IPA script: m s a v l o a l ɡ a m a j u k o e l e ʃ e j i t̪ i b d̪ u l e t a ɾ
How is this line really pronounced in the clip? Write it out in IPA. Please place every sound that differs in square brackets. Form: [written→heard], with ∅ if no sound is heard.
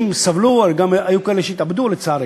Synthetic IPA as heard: m s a v l [o→u] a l ɡ a m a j u k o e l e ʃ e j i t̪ [i→a] b d̪ u l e [t→t͡s] a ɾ